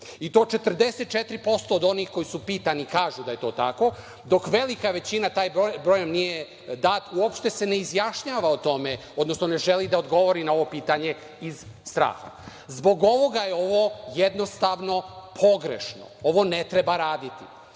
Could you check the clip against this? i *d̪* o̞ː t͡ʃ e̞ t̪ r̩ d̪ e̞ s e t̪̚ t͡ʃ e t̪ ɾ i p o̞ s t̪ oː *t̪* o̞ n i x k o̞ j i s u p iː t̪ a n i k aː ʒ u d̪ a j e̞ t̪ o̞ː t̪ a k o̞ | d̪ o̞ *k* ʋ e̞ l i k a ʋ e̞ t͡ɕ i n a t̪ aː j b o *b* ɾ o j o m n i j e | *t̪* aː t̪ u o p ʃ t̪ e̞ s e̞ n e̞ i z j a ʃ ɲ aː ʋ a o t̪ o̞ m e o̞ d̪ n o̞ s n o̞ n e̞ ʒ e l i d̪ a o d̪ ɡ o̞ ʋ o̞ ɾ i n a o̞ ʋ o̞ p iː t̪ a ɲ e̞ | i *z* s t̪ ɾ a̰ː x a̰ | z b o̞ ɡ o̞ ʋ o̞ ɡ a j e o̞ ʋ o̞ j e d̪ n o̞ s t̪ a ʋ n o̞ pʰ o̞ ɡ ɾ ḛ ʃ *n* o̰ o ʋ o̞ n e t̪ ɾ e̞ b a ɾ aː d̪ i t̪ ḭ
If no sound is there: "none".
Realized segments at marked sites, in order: t̪, d̪, k, b, d̪, z, n

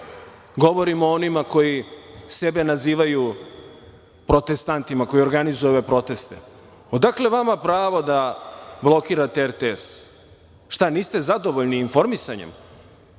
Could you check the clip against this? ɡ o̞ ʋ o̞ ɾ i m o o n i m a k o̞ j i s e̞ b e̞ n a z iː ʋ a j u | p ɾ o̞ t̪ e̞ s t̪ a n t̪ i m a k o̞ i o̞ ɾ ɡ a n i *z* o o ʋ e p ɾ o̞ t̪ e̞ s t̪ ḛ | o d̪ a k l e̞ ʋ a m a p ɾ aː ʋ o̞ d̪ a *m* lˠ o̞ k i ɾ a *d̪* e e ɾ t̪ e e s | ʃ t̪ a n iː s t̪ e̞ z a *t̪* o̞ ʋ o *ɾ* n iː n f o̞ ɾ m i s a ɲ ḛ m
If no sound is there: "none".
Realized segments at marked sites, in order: z, b, t̪, d̪, ʎ

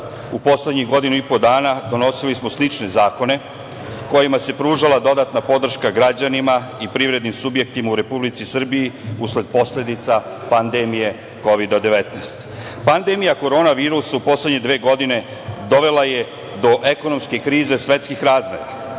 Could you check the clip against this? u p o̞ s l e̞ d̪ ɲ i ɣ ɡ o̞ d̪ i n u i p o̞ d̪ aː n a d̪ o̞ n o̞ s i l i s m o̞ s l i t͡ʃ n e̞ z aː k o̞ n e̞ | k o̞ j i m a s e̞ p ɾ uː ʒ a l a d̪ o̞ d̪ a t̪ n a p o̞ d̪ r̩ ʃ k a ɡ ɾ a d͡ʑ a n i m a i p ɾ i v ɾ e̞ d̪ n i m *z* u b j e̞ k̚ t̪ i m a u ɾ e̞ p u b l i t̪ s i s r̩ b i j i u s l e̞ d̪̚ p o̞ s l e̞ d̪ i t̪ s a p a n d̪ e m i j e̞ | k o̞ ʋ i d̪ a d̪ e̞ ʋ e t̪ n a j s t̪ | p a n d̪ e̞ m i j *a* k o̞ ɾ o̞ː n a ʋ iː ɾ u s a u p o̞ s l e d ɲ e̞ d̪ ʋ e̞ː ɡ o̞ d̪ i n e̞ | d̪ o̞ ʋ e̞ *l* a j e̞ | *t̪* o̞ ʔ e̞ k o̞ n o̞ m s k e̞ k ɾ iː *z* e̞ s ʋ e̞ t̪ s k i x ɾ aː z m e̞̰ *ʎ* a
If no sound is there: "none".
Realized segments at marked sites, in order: s, a, l, d̪, z, ɾ

